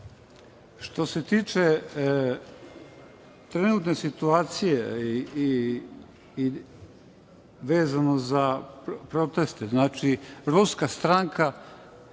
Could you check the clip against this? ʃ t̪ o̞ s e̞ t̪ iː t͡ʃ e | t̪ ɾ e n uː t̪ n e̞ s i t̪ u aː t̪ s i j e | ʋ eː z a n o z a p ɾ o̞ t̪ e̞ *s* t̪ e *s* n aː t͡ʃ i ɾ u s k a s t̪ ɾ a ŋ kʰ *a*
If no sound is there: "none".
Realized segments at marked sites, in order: s, z, a

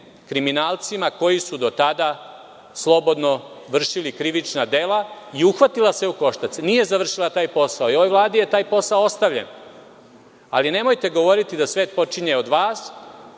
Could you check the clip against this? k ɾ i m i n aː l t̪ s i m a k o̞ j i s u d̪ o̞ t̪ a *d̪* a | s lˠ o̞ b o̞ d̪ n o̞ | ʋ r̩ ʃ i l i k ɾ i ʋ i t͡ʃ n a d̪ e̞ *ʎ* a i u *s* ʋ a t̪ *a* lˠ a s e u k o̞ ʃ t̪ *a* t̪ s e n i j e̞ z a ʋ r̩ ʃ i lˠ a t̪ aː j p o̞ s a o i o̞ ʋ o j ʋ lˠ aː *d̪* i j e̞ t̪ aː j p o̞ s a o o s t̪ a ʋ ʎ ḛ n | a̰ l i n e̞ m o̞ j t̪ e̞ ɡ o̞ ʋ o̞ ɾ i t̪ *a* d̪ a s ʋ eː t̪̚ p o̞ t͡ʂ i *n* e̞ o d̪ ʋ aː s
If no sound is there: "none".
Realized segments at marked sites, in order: d̪, l, x, i, a, d̪, i, ɲ

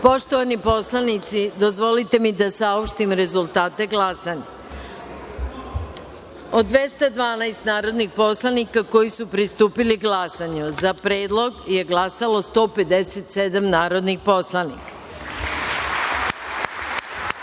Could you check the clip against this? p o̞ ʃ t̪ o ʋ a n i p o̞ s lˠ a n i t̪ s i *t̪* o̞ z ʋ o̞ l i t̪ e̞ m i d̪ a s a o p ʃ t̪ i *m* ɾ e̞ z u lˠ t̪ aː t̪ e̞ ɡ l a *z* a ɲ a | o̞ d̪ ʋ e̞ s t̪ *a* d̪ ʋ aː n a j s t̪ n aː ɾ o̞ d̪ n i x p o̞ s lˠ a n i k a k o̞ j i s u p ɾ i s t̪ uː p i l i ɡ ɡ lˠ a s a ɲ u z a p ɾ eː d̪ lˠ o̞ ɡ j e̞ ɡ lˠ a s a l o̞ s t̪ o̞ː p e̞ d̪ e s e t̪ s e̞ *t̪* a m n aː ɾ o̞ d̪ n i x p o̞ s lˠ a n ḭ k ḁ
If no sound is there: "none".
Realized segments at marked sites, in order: d̪, m, s, a, d̪

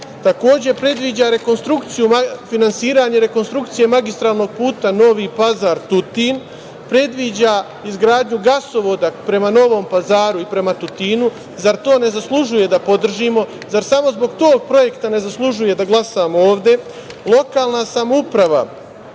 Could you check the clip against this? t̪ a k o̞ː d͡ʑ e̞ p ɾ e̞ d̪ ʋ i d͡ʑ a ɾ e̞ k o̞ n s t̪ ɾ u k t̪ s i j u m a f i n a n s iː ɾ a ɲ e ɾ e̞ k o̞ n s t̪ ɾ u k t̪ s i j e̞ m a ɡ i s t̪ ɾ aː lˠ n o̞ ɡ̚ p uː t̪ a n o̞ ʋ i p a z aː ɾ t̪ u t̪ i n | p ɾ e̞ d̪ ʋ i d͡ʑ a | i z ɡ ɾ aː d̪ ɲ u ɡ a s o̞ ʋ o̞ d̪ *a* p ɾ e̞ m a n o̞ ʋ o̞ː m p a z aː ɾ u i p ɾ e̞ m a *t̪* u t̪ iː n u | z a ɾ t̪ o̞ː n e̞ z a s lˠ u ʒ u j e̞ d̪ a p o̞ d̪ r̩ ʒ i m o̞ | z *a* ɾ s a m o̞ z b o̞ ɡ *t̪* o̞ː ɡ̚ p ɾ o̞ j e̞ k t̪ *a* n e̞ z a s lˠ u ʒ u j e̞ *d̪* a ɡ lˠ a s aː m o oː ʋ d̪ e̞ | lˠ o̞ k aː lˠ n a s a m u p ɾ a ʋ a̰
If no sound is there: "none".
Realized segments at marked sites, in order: a, t̪, a, t̪, a, d̪

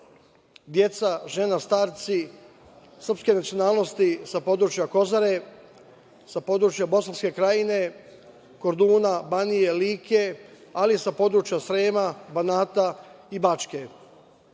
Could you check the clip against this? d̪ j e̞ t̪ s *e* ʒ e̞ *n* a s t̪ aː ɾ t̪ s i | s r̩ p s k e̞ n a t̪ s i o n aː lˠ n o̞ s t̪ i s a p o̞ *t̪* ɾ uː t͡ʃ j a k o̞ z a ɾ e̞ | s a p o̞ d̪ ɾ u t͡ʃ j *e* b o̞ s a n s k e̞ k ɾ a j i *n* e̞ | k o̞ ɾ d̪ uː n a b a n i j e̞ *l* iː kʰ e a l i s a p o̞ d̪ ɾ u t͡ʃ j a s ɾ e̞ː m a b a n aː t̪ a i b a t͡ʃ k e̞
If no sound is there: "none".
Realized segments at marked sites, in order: a, n, d̪, a, n, l

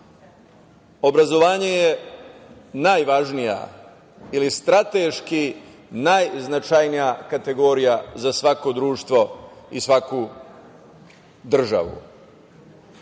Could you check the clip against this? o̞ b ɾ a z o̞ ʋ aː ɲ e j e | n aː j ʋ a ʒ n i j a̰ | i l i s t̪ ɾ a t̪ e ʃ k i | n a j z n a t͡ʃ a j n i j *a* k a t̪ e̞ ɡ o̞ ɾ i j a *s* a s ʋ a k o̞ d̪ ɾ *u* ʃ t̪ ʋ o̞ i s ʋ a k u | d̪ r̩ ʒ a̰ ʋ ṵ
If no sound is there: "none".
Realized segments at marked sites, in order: a, z, uː

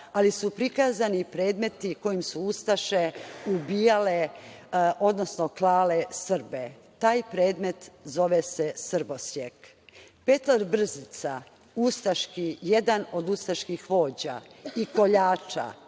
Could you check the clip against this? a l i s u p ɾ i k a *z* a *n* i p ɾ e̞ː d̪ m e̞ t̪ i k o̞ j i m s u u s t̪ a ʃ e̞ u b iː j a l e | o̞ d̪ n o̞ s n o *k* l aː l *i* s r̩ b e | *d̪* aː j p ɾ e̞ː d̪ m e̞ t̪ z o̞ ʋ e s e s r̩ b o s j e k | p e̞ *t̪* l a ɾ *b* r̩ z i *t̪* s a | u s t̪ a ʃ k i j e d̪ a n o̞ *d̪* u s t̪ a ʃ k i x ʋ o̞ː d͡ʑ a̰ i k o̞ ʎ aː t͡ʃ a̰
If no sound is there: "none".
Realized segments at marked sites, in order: z, n, k, e, t̪, t̪, b, t̪, d̪

